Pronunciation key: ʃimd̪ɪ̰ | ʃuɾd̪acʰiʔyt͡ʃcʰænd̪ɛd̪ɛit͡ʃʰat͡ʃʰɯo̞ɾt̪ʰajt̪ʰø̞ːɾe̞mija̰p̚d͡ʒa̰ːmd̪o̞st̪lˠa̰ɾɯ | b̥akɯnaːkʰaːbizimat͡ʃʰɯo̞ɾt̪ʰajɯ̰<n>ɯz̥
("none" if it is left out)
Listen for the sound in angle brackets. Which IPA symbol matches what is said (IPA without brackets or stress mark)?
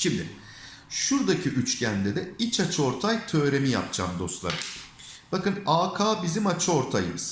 m